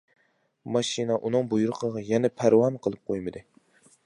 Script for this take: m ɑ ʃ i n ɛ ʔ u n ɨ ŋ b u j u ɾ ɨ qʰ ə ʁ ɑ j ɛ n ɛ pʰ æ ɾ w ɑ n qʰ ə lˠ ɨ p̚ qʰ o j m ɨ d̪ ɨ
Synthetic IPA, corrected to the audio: m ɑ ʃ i n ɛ ʔ u n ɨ ŋ b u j u ɾ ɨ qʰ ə ʁ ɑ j ɛ n ɛ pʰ æ ɾ w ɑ n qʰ ə lˠ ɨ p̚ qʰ o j m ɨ d̪ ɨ